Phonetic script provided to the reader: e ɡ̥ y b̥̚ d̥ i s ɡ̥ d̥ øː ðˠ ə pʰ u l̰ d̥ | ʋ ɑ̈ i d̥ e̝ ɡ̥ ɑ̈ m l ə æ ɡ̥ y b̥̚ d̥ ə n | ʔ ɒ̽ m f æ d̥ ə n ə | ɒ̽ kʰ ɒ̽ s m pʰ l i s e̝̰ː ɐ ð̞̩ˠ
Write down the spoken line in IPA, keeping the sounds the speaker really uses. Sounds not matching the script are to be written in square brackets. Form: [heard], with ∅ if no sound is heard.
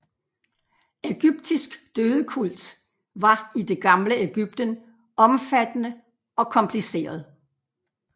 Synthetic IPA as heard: e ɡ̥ y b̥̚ d̥ i s ɡ̥ d̥ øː ðˠ ə [kʰ] u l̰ d̥ | ʋ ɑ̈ i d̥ e̝ ɡ̥ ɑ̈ m l ə [e] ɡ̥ y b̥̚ d̥ ə n | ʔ ɒ̽ m f æ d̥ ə n ə | ɒ̽ kʰ ɒ̽ [∅] m pʰ l i s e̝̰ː ɐ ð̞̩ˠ

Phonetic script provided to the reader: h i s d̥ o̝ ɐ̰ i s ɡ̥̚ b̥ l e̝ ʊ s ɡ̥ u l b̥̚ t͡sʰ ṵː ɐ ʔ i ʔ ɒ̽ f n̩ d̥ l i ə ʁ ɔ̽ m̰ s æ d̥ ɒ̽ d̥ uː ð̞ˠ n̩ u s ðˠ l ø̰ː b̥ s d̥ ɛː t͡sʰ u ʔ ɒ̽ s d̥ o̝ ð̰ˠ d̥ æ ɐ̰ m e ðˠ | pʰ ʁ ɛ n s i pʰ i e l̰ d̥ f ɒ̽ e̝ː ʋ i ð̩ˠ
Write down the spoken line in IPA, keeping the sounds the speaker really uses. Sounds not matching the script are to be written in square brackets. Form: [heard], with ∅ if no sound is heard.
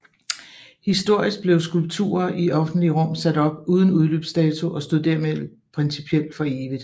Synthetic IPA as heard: h i s d̥ o̝ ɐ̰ i s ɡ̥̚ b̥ l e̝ ʊ s ɡ̥ u l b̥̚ t͡sʰ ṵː ɐ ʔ i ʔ ɒ̽ f n̩ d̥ l i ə ʁ ɔ̽ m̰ s æ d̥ ɒ̽ [b̥] uː ð̞ˠ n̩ u [∅] ðˠ l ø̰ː b̥ s d̥ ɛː t͡sʰ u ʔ ɒ̽ s d̥ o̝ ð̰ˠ d̥ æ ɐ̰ m e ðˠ | pʰ ʁ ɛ n s i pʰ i e l̰ d̥ f ɒ̽ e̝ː ʋ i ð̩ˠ

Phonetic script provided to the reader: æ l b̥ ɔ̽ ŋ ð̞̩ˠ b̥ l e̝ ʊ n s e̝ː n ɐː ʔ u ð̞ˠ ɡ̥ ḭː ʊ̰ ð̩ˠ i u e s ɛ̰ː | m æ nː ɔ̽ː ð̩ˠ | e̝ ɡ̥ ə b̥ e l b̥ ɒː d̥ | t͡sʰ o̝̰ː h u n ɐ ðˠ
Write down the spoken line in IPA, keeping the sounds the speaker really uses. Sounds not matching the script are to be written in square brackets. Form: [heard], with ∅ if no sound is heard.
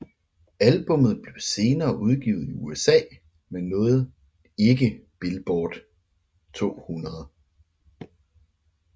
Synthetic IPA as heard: æ l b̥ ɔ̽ [m] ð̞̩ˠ b̥ l e̝ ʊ [∅] s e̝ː n ɐː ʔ u ð̞ˠ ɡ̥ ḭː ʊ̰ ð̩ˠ i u e s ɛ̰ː | m [e] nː ɔ̽ː ð̩ˠ | e̝ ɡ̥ ə b̥ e l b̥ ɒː d̥ | t͡sʰ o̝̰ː h u n ɐ ðˠ

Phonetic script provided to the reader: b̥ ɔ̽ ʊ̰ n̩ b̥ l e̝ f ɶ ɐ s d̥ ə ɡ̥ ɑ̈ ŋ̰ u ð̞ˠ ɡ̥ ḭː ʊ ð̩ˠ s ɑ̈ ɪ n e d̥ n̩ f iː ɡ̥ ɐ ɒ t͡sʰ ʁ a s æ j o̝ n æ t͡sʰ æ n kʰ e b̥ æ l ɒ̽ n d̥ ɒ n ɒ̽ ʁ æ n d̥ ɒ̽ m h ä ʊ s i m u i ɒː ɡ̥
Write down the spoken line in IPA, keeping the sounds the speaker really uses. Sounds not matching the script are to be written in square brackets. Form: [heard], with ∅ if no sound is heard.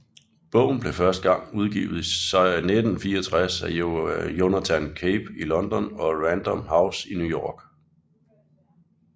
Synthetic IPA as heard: b̥ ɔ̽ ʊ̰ n̩ b̥ l e̝ f ɶ ɐ s d̥ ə ɡ̥ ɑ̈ ŋ̰ u ð̞ˠ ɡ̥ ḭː ʊ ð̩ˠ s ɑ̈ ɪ n e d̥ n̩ f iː [∅] ɐ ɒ t͡sʰ ʁ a s æ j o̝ n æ t͡sʰ æ n kʰ e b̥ [i] l ɒ̽ n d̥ ɒ n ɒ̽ ʁ æ n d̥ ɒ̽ m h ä ʊ s i [n] u [j] ɒː ɡ̥

